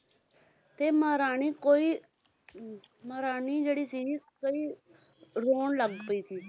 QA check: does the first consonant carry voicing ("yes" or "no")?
no